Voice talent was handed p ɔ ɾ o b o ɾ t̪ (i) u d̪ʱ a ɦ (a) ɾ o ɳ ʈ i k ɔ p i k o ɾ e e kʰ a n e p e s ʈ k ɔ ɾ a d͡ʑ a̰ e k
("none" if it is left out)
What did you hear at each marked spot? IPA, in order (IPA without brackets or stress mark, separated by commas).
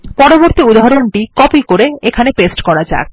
i, a